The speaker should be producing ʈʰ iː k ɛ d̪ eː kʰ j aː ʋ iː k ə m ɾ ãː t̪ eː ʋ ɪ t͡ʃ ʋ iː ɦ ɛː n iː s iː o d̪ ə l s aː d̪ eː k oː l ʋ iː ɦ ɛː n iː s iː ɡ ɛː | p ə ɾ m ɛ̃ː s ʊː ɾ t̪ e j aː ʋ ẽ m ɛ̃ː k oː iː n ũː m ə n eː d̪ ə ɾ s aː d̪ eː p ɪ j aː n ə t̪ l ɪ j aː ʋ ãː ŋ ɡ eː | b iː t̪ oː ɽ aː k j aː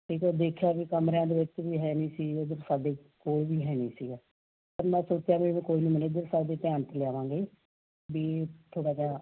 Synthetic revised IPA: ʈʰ iː k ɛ d̪ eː kʰ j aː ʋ iː k ə m ɾ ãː d̪ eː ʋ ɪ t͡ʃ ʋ iː ɦ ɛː n iː s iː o d̪ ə ɾ s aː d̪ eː k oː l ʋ iː ɦ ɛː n iː s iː ɡ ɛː | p ə ɾ m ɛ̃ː s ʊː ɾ t̪ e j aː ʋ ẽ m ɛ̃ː k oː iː n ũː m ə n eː d̪ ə ɾ s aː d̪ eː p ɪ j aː n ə t̪ l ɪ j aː ʋ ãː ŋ ɡ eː | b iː t̪ʰ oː ɽ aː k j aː